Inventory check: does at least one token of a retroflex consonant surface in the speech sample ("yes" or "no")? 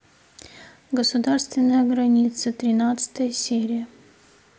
no